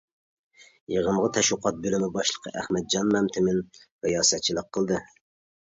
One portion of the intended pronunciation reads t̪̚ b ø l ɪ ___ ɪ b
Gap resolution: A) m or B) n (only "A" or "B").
A